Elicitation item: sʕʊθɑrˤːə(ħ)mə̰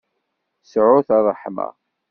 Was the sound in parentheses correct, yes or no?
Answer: yes